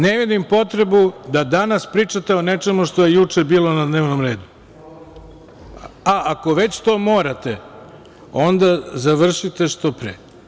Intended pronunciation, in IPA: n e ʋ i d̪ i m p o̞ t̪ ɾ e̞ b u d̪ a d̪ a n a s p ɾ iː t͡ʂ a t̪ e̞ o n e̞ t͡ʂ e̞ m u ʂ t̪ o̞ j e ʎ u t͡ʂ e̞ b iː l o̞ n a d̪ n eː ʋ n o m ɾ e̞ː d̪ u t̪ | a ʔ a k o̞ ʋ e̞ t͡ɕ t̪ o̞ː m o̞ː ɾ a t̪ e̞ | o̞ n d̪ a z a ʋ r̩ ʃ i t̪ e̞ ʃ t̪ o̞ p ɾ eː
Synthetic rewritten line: n e ʋ i d̪ i m p o̞ t̪ ɾ e̞ b u d̪ a d̪ a n a s p ɾ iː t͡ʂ a t̪ e̞ o n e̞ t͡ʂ e̞ m u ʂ t̪ o̞ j e j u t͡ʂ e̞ b iː l o̞ n a d̪ n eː ʋ n o m ɾ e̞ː d̪ u | a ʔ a k o̞ ʋ e̞ t͡ɕ t̪ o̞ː m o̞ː ɾ a t̪ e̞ | o̞ n d̪ a z a ʋ r̩ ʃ i t̪ e̞ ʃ t̪ o̞ p ɾ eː